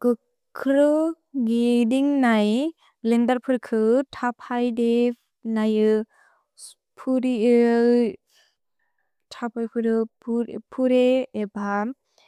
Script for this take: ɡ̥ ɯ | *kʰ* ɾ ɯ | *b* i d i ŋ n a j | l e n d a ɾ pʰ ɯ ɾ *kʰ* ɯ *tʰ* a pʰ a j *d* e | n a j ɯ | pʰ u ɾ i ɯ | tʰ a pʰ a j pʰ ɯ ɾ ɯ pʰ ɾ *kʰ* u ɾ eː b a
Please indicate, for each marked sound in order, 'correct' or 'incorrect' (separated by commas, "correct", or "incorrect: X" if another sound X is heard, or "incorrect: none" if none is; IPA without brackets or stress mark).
correct, incorrect: ɡ, correct, correct, correct, incorrect: pʰ